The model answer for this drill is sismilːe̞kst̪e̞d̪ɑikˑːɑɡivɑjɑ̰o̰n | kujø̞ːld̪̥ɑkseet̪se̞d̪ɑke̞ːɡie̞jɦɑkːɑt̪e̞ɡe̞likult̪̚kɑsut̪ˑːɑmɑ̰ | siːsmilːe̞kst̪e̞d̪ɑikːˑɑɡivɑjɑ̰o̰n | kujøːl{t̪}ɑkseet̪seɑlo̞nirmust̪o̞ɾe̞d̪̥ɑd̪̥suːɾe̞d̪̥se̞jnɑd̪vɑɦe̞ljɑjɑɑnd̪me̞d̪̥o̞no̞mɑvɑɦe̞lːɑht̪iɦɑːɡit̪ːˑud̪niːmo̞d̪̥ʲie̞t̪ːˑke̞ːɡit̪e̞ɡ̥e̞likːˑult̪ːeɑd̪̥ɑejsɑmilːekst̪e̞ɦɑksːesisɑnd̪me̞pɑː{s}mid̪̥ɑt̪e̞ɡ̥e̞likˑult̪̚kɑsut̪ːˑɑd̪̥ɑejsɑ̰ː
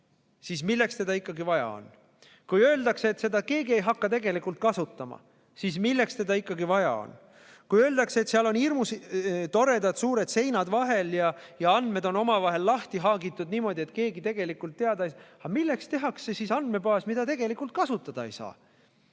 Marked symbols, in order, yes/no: no, yes

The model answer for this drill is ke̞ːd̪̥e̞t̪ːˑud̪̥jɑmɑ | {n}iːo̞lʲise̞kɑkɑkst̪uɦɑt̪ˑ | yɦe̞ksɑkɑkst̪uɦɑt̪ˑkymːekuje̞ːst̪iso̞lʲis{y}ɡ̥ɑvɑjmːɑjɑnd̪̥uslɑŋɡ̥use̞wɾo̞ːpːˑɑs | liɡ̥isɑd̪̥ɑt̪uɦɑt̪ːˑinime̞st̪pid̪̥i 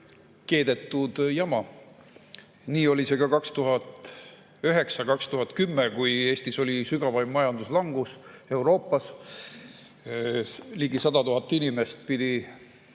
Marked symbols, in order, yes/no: yes, yes

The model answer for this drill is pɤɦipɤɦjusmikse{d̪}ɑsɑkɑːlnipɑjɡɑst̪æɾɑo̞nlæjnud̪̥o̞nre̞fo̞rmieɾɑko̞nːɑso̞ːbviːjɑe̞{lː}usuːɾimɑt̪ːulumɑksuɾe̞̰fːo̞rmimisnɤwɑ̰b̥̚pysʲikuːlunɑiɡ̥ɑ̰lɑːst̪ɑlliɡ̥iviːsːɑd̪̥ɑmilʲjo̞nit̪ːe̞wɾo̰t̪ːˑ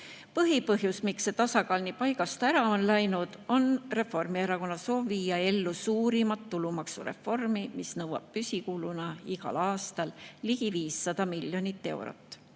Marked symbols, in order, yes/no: no, yes

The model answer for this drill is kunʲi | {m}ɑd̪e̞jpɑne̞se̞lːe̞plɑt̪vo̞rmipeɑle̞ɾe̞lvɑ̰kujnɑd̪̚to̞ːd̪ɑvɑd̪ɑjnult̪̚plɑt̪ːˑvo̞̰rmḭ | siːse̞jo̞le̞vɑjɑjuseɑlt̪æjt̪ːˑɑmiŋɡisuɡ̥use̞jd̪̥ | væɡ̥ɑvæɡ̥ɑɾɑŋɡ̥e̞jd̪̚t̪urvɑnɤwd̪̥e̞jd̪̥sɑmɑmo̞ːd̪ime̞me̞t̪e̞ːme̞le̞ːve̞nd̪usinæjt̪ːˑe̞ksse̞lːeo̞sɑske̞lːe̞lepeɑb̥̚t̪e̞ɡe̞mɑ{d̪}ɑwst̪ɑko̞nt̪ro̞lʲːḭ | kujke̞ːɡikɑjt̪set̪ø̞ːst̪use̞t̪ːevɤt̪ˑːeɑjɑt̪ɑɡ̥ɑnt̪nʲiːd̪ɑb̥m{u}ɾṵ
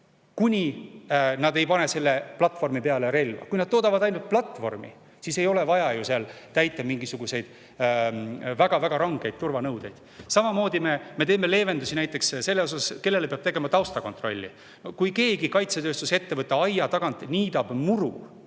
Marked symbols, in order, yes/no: no, no, yes

